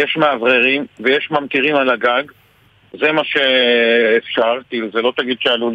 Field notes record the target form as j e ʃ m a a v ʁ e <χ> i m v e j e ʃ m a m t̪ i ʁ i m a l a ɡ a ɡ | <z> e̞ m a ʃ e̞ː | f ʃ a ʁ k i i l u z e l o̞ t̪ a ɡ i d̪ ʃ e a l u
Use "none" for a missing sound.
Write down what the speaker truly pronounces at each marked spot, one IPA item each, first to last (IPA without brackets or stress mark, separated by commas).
ʁ, z